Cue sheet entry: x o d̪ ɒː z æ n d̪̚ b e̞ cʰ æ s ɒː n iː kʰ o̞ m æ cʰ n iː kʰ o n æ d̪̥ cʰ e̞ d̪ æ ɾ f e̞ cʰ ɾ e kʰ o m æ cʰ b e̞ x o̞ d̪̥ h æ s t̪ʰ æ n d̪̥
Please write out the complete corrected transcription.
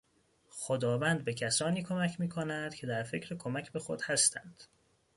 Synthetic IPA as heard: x o d̪ ɒː v æ n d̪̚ b e̞ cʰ æ s ɒː n iː kʰ o̞ m æ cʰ m iː kʰ o n æ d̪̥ cʰ e̞ d̪ æ ɾ f e̞ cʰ ɾ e kʰ o m æ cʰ b e̞ x o̞ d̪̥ h æ s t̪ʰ æ n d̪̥

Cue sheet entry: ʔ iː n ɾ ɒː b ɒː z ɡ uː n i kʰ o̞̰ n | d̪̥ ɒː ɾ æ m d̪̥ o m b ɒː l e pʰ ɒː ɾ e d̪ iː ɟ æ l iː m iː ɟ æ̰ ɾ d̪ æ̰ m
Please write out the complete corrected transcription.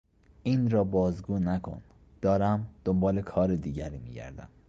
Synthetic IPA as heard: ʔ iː n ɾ ɒː b ɒː z ɡ uː n æ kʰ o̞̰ n | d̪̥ ɒː ɾ æ m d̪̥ o m b ɒː l e kʰ ɒː ɾ e d̪ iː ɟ æ ɾ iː m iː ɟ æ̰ ɾ d̪ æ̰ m

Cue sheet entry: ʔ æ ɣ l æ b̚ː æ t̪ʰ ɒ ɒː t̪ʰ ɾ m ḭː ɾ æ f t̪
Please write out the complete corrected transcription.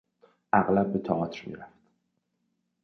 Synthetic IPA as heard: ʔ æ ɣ l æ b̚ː e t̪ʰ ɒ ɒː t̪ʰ ɾ m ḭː ɾ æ f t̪

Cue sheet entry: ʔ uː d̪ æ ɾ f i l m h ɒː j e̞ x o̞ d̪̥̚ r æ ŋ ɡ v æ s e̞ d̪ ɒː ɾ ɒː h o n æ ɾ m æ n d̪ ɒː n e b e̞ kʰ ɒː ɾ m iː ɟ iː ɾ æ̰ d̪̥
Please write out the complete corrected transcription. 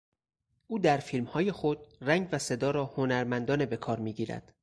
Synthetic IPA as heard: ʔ uː d̪ æ ɾ f i l m h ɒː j e̞ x o̞ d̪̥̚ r æ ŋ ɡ v æ s e̞ d̪ ɒː ɾ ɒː h o n æ ɾ m æ n d̪ ɒː n e b e̞ kʰ ɒː ɾ m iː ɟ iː ɾ æ̰ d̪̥

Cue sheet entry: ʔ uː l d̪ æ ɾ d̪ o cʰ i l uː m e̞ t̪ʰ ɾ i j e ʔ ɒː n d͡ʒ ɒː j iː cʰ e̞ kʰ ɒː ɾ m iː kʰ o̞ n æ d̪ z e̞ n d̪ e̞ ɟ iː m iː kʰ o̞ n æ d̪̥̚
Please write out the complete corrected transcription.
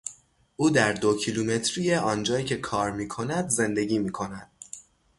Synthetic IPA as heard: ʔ uː d̪ æ ɾ d̪ o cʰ i l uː m e̞ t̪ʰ ɾ i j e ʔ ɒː n d͡ʒ ɒː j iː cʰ e̞ kʰ ɒː ɾ m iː kʰ o̞ n æ d̪ z e̞ n d̪ e̞ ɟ iː m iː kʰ o̞ n æ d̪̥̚

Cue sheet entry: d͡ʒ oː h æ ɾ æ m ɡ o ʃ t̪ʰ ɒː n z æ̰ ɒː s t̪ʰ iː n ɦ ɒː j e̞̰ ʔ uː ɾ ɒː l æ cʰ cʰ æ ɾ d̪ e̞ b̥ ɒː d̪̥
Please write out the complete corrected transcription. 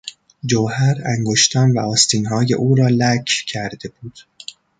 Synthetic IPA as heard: d͡ʒ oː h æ ɾ æ ŋ ɡ o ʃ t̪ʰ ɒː n v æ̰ ɒː s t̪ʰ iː n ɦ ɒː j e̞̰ ʔ uː ɾ ɒː l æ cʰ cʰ æ ɾ d̪ e̞ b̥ uː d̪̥

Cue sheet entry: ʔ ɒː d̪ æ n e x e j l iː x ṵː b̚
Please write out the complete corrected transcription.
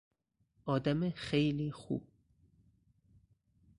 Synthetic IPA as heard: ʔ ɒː d̪ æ m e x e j l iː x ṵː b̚

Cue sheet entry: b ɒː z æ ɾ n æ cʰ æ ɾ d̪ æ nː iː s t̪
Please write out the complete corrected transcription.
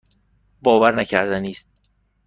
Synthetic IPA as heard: b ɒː v æ ɾ n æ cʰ æ ɾ d̪ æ n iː s t̪

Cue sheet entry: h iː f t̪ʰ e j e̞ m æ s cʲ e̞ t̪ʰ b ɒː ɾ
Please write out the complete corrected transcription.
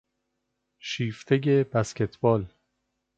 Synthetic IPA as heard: ʃ iː f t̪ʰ e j e̞ b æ s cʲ e̞ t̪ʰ b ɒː l

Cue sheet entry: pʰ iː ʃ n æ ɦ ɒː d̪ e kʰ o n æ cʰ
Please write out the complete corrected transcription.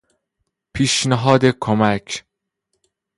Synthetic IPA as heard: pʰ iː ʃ n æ ɦ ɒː d̪ e kʰ o m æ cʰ

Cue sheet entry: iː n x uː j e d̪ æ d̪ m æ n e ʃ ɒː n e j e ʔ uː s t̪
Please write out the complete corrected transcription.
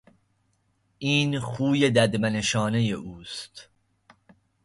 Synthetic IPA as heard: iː n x uː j e d̪ æ d̪ m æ n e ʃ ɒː n e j e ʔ uː s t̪

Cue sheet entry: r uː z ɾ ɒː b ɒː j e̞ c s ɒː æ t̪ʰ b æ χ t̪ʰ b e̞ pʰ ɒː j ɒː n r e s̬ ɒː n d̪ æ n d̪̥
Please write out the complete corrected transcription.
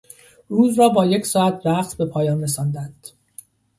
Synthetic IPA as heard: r uː z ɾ ɒː b ɒː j e̞ c s ɒː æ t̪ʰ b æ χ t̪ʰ b e̞ pʰ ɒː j ɒː n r e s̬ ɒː n d̪ æ n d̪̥

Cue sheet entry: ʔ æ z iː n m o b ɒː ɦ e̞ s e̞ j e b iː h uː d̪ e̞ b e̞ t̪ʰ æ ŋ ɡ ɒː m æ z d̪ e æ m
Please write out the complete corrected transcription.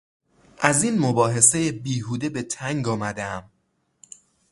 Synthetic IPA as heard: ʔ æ z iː n m o b ɒː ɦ e̞ s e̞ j e b iː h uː d̪ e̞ b e̞ t̪ʰ æ ŋ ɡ ɒː m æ d̪ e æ m

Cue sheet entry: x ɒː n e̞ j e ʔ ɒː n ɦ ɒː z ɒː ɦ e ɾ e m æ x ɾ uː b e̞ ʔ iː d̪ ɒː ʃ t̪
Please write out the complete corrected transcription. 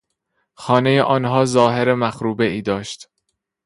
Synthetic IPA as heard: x ɒː n e̞ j e ʔ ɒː n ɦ ɒː z ɒː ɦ e ɾ e m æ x ɾ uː b e̞ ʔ iː d̪ ɒː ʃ t̪

